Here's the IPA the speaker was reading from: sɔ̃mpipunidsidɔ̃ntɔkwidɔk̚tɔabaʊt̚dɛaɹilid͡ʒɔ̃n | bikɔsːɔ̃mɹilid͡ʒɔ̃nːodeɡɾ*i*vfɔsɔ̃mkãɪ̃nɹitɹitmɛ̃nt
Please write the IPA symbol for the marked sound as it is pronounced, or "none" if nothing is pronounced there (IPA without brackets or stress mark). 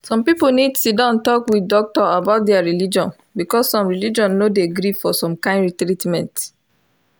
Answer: i